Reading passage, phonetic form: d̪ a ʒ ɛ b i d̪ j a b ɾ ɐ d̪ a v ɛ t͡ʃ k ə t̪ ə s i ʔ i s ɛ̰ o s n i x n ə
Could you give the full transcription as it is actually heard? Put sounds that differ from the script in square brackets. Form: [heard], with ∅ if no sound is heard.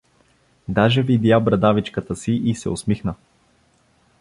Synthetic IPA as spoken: d̪ a ʒ ɛ [v] i d̪ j a b ɾ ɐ d̪ a v [i] t͡ʃ k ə t̪ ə s i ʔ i s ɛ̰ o s [m] i x n ə